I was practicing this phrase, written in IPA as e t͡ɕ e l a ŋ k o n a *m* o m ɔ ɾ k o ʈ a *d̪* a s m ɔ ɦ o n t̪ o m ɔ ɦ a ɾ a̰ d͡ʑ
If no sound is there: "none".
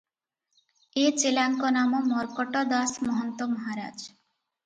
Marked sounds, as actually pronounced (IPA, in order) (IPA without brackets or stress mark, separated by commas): m, d̪